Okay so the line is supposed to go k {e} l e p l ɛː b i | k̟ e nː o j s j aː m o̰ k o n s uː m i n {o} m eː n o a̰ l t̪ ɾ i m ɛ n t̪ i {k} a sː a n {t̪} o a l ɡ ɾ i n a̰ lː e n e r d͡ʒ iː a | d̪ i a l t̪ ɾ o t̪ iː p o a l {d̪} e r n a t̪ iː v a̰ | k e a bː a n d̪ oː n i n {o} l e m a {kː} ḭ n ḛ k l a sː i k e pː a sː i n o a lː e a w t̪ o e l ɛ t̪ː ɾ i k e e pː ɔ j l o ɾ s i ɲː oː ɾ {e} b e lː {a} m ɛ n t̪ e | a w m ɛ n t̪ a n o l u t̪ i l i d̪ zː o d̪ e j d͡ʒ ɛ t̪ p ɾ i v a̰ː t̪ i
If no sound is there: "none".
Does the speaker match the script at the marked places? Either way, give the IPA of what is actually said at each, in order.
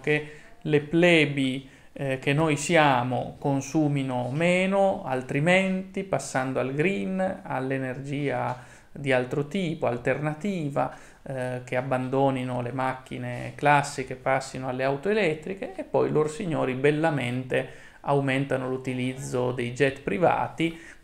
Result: e, o, p, d̪, t̪, o, kː, i, a

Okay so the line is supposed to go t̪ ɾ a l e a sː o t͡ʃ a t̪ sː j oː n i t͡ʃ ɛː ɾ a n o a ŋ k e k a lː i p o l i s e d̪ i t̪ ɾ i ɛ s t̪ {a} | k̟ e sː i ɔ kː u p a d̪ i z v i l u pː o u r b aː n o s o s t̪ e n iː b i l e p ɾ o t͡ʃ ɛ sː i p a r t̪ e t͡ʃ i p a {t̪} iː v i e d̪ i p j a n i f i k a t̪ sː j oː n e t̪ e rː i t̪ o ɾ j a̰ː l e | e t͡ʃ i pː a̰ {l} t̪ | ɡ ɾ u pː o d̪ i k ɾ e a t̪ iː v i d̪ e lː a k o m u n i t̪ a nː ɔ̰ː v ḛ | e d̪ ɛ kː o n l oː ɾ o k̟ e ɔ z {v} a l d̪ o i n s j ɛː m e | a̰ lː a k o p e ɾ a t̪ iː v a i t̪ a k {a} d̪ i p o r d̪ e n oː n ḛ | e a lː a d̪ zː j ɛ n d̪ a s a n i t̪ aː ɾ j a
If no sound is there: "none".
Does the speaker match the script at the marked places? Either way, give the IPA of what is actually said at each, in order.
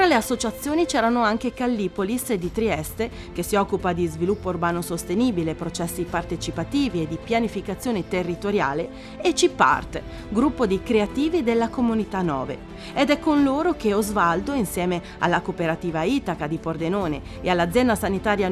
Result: e, t̪, r, v, a

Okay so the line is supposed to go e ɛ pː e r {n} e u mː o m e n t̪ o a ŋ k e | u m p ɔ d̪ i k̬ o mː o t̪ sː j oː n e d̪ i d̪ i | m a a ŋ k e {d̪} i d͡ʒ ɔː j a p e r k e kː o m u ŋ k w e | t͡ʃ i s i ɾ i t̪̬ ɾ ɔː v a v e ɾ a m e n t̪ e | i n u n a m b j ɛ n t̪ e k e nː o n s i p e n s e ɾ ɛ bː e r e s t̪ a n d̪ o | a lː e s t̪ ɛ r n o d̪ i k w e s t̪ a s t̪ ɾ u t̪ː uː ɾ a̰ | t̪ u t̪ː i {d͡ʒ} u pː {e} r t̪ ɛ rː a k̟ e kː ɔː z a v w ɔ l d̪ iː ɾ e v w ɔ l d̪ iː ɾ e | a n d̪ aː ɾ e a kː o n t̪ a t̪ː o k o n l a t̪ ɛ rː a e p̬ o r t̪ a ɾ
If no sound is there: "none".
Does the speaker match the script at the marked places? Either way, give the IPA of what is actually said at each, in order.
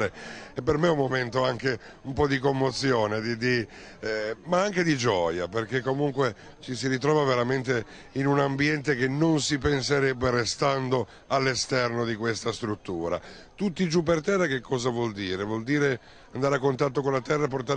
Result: m, d̪, d͡ʒ, e

